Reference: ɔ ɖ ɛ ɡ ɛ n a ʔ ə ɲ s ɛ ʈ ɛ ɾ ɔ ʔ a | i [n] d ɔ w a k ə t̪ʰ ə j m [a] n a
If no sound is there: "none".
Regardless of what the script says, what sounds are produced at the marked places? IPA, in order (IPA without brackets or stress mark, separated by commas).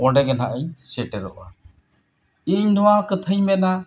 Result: ɲ, ɛ